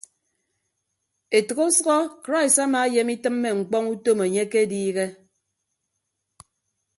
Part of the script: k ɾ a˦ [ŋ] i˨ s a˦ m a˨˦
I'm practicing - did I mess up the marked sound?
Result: yes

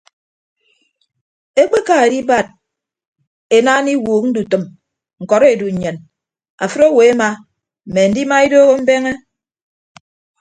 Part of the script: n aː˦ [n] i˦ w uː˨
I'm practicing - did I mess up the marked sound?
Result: no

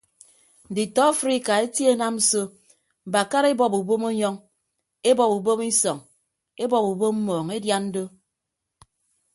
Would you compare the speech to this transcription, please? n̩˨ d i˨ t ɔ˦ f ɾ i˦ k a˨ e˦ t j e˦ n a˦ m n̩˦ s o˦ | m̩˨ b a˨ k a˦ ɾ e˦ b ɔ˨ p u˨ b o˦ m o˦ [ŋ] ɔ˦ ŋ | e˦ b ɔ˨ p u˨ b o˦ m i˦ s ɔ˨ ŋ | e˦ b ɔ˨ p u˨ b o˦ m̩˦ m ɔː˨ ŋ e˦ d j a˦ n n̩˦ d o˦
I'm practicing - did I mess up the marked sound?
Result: yes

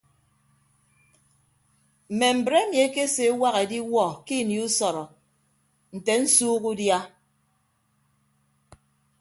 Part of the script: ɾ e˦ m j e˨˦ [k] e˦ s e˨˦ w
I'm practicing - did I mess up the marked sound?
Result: no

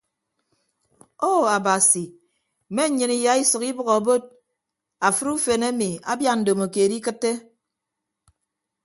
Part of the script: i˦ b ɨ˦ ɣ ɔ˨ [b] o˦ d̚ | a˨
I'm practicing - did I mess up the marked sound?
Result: no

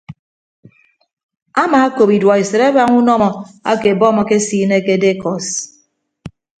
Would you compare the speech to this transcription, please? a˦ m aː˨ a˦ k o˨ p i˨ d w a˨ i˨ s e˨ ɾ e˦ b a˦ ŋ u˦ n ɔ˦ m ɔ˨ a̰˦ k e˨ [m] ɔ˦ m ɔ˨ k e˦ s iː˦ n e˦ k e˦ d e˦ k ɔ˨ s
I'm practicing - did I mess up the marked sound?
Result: yes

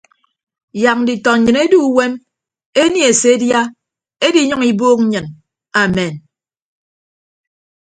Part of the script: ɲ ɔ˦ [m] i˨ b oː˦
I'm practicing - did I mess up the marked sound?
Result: yes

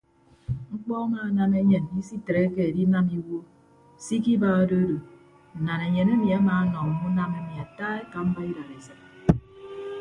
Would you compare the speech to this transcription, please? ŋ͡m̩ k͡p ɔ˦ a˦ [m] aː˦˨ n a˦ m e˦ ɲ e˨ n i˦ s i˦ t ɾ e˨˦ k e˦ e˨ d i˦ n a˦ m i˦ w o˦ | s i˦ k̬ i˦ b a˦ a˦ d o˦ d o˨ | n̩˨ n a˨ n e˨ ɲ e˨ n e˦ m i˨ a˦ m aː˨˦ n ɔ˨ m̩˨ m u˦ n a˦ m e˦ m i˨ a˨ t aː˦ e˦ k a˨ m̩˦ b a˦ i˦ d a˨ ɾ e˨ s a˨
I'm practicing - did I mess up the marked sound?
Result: no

